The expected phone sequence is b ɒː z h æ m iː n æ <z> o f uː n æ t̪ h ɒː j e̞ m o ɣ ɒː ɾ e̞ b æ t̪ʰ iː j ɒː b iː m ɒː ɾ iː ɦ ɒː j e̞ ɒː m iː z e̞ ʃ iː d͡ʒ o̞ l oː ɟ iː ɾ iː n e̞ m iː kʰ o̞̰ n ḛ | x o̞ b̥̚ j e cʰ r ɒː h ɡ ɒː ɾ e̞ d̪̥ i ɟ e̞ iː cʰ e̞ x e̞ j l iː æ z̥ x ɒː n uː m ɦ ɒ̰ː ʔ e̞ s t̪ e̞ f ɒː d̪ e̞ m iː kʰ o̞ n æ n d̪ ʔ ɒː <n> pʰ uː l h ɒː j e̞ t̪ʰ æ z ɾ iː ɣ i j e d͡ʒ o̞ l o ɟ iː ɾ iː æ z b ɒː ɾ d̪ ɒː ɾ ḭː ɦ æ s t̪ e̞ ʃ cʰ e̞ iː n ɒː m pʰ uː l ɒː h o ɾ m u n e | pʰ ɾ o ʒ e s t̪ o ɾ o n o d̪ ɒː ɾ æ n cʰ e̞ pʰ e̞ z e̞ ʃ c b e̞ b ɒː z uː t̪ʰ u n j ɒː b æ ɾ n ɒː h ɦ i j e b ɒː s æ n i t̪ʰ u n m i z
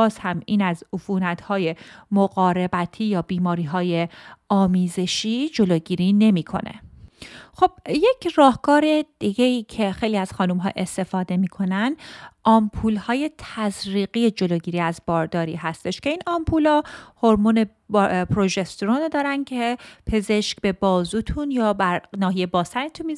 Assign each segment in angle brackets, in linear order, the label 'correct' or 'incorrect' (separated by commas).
correct, incorrect